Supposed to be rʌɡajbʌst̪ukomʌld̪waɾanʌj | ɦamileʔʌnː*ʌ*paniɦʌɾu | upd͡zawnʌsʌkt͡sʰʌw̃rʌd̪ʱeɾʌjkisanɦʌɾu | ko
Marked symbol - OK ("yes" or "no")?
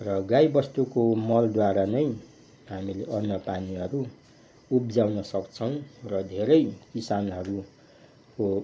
yes